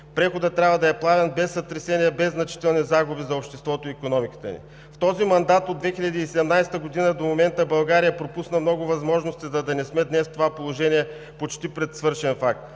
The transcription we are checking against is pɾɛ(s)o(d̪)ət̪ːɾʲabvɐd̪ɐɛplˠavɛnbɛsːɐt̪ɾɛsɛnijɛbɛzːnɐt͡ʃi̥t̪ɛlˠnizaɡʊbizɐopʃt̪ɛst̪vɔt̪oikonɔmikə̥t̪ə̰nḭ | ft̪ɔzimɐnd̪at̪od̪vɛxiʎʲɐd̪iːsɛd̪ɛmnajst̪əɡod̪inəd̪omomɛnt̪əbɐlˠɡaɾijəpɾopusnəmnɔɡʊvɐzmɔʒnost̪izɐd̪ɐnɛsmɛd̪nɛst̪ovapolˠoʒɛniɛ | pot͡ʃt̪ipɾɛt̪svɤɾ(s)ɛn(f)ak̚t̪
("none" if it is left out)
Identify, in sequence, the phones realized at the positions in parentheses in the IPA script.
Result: x, d̪, ʃ, f

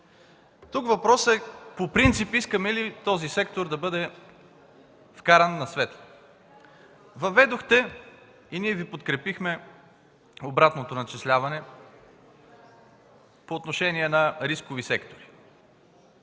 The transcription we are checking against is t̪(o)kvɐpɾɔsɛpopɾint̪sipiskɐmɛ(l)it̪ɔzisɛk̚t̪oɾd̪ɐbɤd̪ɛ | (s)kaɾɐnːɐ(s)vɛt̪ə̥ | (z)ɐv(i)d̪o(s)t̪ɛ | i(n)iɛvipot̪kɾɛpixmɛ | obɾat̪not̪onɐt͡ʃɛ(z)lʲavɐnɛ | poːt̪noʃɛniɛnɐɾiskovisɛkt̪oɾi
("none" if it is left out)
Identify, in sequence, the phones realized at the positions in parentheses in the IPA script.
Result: u, l, f, s, v, ɛ, x, n, s

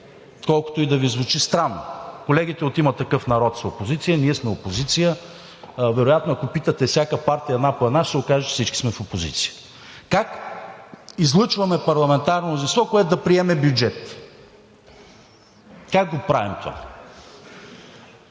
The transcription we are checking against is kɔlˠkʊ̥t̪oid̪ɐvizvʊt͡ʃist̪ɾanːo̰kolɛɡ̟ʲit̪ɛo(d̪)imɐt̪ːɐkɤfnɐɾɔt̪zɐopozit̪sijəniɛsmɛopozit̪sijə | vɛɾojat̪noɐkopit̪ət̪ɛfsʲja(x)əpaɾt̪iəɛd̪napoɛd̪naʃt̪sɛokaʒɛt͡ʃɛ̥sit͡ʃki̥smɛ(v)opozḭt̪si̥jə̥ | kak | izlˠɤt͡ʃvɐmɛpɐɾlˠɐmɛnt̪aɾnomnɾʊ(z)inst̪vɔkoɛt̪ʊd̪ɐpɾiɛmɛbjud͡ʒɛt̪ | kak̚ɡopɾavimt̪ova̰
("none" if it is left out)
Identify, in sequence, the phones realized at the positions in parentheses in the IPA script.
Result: t̪, k, f, z

